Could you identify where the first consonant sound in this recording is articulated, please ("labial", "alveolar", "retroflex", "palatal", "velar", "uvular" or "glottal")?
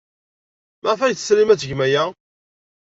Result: labial